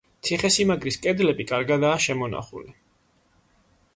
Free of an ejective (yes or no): no